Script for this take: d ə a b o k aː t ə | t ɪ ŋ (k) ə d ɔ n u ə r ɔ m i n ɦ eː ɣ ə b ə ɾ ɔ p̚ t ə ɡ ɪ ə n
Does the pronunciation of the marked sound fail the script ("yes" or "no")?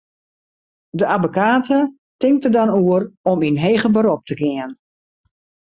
yes